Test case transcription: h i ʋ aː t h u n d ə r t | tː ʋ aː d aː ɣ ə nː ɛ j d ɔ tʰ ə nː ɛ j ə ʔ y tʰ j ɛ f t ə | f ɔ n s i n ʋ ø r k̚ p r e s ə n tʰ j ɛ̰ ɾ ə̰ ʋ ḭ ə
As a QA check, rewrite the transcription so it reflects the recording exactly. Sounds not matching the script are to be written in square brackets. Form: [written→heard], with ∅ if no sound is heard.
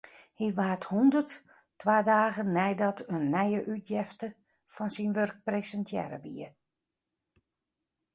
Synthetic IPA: h i ʋ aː t h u n d ə r t | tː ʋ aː d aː ɣ ə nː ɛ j d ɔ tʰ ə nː ɛ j ə ʔ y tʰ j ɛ f t ə | f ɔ n s i n ʋ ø r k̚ p r e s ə n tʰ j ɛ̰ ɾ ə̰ ʋ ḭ ə